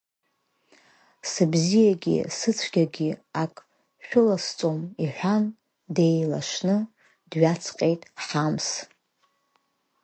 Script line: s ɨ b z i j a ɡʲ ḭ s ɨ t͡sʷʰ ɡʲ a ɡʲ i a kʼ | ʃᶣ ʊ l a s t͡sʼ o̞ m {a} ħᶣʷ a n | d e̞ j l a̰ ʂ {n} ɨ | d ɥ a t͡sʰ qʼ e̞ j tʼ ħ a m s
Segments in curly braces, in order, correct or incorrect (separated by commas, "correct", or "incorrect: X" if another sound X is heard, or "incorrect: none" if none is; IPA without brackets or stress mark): incorrect: i, correct